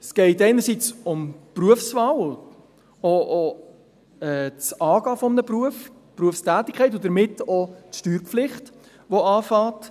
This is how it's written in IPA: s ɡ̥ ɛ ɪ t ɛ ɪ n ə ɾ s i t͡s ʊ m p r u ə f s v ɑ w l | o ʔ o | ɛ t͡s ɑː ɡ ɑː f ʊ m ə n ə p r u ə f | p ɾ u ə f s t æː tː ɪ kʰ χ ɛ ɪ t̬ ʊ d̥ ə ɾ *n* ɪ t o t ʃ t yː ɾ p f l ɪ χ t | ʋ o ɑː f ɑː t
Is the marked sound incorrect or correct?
incorrect